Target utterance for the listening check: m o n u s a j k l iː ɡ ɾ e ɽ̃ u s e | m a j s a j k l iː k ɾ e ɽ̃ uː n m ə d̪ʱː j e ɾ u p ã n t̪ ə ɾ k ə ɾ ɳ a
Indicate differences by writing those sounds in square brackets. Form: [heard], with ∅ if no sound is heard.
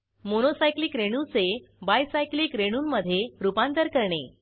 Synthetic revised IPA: m o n [o] s a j k l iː [k] ɾ e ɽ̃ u [t͡s] e | [b] a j s a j k l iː k ɾ e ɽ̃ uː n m ə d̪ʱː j e ɾ u p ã n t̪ ə ɾ k ə ɾ ɳ [e]

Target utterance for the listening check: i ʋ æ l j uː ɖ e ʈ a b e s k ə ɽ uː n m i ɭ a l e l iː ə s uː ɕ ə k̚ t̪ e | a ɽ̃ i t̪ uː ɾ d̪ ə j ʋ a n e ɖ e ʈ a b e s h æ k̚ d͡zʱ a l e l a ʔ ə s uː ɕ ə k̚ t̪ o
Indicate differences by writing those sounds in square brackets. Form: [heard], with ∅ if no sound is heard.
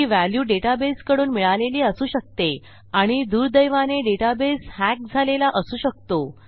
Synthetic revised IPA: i ʋ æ l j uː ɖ e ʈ a b e s k ə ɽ uː n m i ɭ a l e l iː ə s uː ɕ ə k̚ t̪ e | a ɽ̃ i [d̪] uː ɾ d̪ ə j ʋ a n e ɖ e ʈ a b e s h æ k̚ d͡zʱ a l e l a ʔ ə s uː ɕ ə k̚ t̪ o

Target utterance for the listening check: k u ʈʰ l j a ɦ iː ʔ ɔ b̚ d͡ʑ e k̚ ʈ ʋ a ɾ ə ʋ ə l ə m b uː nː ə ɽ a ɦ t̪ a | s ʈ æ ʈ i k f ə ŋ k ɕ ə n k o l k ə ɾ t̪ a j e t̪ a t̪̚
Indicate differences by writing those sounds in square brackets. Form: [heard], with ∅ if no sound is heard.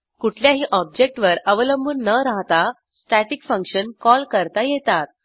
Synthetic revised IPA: k u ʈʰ l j a ɦ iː ʔ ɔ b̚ d͡ʑ e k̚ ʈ ʋ [ə] ɾ ə ʋ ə l ə m b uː nː ə [ɾ] a ɦ t̪ a | s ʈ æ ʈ i k f ə ŋ k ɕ ə n k [ɔ] l k ə ɾ t̪ a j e t̪ a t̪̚

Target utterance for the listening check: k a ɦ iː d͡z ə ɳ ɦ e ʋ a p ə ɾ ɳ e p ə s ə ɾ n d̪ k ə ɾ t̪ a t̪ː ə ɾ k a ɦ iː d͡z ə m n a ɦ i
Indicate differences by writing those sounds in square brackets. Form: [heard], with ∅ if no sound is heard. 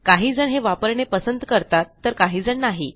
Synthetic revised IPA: k a ɦ iː d͡z ə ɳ ɦ e ʋ a p ə ɾ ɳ e p ə s ə [∅] n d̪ k ə ɾ t̪ a t̪ː ə ɾ k a ɦ iː d͡z ə [ɳ] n a ɦ i

